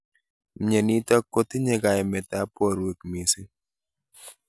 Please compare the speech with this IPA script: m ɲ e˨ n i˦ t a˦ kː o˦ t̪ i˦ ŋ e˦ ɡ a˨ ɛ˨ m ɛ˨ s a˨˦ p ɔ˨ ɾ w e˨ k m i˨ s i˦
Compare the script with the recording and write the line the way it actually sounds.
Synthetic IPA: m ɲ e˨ n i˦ t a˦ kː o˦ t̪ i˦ ɲ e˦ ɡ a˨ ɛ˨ m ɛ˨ t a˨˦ p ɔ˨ ɾ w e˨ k m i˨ s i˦